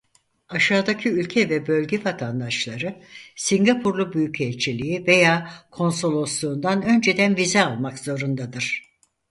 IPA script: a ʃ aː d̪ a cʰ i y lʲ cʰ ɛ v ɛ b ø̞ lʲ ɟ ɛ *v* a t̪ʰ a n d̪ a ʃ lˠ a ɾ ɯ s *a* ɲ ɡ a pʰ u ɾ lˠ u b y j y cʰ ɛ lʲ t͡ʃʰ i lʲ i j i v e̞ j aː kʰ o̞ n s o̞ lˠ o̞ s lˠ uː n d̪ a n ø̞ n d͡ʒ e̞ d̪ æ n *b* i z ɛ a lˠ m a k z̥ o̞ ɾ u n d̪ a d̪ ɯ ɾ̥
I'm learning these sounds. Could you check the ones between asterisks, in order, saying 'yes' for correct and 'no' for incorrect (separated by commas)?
yes, no, no